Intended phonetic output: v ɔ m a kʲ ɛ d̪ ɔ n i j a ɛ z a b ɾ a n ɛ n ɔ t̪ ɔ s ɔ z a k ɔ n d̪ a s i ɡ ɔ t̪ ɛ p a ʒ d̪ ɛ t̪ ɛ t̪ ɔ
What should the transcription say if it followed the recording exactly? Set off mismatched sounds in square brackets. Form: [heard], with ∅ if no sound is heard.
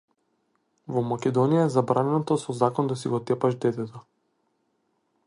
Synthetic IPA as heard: v ɔ m a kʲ ɛ d̪ ɔ n i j a ɛ z a b ɾ a n ɛ n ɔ t̪ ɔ s ɔ z a k ɔ n d̪ a s i ɡ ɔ t̪ ɛ p a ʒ d̪ ɛ t̪ ɛ t̪ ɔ